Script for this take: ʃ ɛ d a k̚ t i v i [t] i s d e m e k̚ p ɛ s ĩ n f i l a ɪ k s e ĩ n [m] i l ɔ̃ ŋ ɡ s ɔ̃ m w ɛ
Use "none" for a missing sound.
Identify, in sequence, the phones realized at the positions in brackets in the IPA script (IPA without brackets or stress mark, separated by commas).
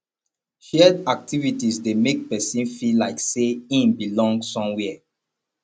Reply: t, b